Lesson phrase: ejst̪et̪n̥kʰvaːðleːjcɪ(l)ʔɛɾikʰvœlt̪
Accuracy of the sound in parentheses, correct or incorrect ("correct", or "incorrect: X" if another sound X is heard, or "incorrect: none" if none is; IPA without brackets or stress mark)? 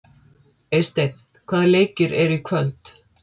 incorrect: ɾ